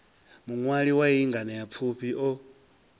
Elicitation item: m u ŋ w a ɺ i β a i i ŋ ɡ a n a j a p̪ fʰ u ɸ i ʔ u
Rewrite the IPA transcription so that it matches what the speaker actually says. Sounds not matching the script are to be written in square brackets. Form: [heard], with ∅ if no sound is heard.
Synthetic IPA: m u ŋ w a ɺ i [w] a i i ŋ ɡ a n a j a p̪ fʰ u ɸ i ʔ [ɔ]